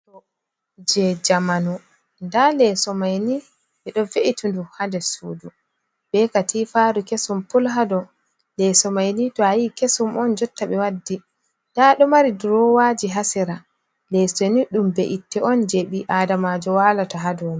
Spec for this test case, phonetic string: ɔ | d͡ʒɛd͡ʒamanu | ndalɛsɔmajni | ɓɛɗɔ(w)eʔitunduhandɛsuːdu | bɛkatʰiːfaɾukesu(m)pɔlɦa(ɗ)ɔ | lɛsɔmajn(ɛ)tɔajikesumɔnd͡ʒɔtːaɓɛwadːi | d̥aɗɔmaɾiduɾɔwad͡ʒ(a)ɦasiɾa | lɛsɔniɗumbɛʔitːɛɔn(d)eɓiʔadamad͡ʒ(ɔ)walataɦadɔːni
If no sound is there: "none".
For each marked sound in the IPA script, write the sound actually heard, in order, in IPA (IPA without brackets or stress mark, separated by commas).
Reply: v, m, d, i, i, d͡ʒ, ɔ